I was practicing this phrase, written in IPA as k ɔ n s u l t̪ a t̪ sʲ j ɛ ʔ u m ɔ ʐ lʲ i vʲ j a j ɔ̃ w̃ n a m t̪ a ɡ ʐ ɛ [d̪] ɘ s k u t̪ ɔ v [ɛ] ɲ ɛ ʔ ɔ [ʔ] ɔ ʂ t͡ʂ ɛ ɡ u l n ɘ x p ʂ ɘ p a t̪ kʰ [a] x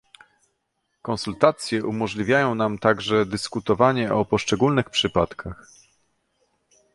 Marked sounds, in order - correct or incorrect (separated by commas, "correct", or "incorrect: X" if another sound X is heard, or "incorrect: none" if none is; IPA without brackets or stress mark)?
correct, incorrect: a, incorrect: p, correct